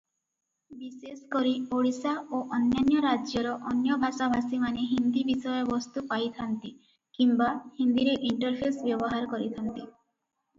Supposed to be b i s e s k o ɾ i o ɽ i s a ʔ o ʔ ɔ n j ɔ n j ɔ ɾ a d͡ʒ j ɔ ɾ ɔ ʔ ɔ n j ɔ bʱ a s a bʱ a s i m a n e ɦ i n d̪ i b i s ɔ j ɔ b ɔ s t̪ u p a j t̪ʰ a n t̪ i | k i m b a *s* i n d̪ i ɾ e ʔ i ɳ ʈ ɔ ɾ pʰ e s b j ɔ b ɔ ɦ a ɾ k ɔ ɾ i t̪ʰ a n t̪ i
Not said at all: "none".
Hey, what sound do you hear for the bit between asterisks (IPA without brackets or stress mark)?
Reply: h